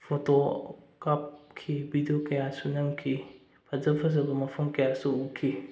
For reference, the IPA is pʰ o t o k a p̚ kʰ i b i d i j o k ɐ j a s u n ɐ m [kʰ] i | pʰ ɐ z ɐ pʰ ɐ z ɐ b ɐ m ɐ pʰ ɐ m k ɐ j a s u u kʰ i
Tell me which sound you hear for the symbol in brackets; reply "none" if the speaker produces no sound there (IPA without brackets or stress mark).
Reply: kʰ